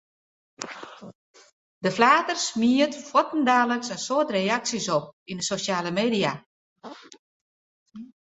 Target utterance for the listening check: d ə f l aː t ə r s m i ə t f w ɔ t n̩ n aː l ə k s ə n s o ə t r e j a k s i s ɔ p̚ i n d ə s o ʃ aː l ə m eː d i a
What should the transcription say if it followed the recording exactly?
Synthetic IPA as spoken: d ə f l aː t ə r s m i ə t f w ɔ t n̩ d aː l ə k s ə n s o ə t r e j a k s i s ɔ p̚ i n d ə s o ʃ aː l ə m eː d i a